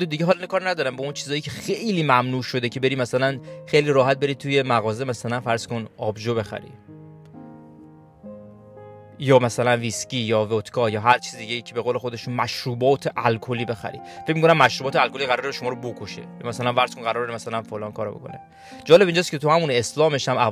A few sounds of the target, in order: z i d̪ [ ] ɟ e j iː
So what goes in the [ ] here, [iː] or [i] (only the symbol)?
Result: i